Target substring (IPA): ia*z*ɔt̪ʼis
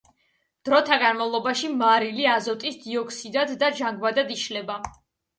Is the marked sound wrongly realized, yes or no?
no